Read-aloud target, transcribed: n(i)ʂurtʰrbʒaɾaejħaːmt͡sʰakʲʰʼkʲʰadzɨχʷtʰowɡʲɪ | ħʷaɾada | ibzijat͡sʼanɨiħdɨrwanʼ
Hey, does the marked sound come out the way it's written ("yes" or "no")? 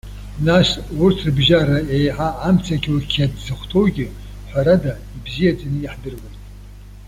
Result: no